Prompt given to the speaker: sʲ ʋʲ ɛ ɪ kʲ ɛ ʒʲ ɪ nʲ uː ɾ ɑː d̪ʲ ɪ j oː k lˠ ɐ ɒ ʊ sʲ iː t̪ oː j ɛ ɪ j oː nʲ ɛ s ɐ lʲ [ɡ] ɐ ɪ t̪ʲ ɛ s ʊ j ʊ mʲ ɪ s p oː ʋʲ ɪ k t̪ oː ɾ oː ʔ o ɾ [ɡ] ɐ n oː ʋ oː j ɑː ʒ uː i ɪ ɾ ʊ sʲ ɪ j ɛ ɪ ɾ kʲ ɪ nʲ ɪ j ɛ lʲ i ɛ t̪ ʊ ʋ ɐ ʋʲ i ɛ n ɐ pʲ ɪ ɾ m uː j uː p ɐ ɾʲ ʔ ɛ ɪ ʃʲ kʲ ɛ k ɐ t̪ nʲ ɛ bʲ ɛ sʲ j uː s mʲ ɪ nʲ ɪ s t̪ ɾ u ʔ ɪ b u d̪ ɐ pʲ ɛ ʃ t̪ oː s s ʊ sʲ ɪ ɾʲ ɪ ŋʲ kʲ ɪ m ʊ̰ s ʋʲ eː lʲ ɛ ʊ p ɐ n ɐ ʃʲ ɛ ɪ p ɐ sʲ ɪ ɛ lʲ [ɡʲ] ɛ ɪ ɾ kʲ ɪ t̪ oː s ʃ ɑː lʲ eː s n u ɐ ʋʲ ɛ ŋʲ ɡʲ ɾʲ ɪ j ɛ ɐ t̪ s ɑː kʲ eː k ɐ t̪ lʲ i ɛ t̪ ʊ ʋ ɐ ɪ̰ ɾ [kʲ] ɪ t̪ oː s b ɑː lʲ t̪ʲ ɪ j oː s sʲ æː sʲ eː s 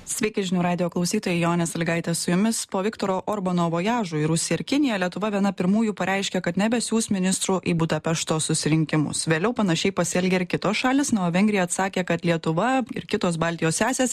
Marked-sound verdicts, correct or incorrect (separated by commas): correct, incorrect, correct, correct